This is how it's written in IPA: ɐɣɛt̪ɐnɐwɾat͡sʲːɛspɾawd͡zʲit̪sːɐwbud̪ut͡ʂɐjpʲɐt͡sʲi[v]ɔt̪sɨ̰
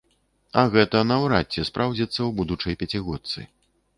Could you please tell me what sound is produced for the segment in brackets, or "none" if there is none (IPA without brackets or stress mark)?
ɣ